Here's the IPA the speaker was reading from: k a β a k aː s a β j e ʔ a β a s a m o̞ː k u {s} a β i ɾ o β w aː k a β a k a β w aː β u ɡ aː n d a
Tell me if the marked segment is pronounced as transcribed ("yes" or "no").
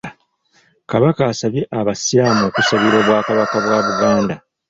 yes